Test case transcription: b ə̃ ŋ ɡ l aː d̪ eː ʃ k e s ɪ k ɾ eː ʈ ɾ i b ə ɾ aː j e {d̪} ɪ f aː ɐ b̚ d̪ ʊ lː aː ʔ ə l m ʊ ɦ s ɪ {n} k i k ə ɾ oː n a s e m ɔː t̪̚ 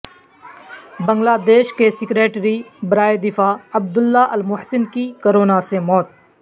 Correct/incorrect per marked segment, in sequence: correct, correct

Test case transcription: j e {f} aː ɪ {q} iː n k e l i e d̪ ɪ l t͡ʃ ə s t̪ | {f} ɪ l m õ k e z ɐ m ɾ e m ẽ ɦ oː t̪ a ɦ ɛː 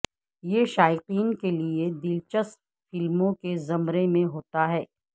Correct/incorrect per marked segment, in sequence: incorrect, correct, correct

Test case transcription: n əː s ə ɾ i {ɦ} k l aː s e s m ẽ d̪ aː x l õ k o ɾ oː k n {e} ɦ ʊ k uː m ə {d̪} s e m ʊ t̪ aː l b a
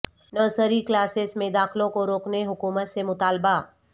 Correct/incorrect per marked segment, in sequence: incorrect, correct, incorrect

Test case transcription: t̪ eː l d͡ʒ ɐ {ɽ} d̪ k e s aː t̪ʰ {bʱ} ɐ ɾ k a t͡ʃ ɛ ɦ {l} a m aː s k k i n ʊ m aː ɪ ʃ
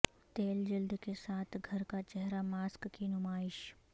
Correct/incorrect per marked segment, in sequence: incorrect, incorrect, incorrect

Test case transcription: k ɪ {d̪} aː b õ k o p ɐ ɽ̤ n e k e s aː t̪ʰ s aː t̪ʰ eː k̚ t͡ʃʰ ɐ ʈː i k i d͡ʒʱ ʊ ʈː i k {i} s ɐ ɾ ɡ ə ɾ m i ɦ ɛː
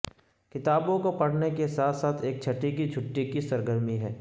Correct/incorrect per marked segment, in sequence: incorrect, correct

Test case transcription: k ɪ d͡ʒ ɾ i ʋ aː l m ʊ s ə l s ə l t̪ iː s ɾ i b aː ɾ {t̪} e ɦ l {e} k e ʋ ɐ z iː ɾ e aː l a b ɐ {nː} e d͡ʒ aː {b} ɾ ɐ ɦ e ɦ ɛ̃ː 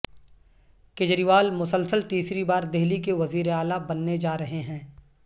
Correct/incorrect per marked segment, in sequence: incorrect, incorrect, correct, incorrect

